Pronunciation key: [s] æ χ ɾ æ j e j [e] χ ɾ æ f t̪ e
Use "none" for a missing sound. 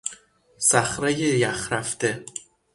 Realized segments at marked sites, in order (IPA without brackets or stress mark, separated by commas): s, æ